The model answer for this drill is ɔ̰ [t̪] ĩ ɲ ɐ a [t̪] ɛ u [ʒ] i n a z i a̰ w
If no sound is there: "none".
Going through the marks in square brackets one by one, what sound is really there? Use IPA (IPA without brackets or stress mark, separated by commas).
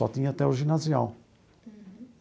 t̪, t̪, ʒ